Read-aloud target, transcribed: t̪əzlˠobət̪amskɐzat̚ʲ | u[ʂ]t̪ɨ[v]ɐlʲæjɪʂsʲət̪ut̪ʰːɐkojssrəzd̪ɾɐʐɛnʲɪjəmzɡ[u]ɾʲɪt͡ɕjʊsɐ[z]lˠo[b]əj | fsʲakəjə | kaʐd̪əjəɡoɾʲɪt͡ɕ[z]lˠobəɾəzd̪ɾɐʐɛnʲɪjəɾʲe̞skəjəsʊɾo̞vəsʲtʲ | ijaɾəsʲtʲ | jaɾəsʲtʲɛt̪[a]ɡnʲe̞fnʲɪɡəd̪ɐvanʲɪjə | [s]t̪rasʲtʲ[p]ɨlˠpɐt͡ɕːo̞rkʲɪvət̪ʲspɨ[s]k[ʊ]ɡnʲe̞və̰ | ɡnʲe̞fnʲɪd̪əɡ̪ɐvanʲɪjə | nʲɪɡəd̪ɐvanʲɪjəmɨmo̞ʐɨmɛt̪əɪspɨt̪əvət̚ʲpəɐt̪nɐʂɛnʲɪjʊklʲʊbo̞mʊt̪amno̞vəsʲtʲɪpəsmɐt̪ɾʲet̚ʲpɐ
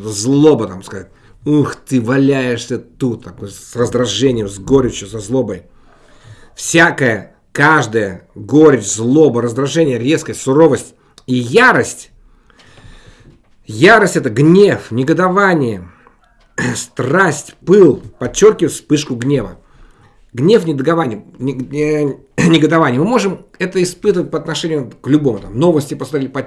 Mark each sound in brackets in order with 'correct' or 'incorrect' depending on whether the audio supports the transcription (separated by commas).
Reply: incorrect, correct, incorrect, correct, correct, correct, incorrect, correct, correct, incorrect, correct